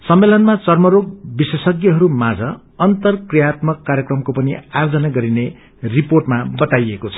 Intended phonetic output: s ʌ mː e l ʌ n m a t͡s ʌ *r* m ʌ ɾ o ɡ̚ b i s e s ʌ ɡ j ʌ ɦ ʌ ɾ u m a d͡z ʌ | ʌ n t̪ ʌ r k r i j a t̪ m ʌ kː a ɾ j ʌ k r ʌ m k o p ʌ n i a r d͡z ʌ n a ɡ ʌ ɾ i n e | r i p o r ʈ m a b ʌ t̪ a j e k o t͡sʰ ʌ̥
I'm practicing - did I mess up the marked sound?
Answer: no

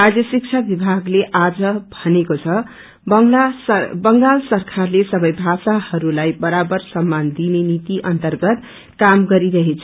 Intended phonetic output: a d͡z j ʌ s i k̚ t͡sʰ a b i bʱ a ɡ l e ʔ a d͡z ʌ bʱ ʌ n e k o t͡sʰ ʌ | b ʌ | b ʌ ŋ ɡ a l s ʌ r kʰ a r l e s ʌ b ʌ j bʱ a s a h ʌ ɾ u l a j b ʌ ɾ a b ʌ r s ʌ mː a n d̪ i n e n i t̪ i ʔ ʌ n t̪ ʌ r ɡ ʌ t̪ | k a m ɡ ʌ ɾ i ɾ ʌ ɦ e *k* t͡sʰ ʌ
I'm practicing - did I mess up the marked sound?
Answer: yes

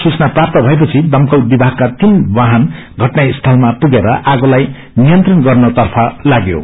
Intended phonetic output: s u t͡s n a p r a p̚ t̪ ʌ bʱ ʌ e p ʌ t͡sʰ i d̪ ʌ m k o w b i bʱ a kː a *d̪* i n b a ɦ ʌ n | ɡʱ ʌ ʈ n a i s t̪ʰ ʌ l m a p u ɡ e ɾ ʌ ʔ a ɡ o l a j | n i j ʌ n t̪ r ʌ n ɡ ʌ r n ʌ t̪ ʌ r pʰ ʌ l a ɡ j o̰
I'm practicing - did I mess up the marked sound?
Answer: yes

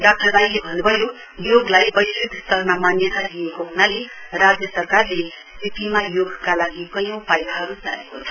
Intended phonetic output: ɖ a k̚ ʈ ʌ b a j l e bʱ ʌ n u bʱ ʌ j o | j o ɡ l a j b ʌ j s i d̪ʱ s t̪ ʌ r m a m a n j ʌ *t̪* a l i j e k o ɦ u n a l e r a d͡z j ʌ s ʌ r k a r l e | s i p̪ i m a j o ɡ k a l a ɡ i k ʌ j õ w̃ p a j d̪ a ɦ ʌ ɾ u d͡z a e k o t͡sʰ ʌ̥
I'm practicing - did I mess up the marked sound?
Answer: no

